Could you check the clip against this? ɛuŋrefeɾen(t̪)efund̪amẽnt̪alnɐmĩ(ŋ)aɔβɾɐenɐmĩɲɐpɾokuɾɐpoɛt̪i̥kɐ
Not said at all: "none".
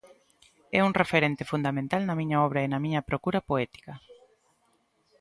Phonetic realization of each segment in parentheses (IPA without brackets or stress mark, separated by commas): t̪, ɲ